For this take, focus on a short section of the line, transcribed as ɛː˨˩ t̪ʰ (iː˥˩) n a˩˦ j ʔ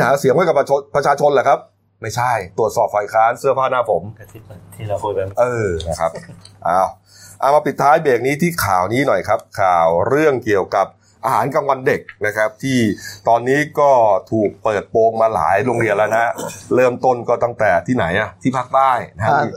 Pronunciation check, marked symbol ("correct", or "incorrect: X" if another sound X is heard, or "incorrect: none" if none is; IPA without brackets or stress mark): correct